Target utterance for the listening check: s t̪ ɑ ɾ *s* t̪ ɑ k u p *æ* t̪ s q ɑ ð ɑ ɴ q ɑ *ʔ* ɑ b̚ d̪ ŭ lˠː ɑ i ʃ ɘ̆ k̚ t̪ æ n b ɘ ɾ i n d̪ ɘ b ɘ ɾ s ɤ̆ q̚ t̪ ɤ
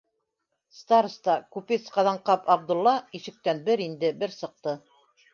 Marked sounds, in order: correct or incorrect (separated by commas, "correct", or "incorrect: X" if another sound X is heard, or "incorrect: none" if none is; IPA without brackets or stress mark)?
correct, incorrect: i, incorrect: p